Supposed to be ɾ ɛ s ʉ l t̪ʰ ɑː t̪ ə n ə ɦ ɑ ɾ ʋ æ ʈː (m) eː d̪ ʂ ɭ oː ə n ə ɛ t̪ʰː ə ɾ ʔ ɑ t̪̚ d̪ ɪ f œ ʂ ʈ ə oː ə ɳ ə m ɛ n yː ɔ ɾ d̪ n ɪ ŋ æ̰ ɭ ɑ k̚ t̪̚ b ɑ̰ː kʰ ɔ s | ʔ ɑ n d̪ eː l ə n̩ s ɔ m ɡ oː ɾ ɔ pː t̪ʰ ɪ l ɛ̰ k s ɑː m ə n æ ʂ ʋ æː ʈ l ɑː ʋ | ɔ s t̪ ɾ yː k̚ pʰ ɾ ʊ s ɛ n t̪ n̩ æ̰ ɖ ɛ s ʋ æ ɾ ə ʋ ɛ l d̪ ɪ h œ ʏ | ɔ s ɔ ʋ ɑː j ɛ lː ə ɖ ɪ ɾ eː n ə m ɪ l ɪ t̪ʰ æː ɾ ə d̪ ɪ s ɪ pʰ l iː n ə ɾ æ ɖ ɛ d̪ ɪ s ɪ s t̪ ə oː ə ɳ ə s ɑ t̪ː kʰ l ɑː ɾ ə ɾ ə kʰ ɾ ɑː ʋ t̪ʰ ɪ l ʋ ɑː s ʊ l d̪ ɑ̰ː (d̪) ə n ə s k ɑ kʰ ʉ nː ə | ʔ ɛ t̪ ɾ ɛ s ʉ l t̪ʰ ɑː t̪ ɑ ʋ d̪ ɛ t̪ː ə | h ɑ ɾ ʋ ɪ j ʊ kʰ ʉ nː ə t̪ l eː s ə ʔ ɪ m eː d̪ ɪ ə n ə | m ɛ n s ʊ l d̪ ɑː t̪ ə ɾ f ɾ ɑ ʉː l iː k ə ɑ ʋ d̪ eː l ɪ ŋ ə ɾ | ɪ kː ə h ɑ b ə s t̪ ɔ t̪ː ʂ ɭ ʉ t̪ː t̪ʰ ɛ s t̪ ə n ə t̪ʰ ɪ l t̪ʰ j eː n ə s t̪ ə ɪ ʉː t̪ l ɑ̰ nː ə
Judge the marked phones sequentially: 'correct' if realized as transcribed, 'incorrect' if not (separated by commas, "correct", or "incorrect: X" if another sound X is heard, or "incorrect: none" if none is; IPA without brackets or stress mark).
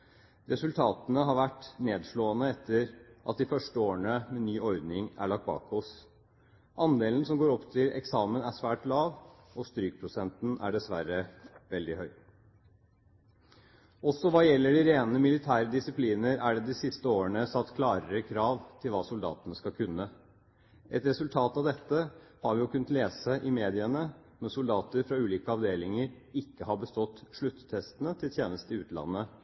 incorrect: n, incorrect: t̪